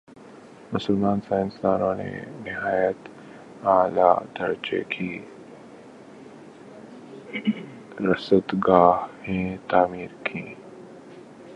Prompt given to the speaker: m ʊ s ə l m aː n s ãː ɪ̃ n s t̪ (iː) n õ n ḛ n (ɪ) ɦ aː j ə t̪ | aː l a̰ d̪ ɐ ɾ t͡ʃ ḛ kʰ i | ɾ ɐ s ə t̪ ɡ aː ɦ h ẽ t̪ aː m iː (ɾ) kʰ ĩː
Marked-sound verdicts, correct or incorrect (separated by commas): incorrect, correct, correct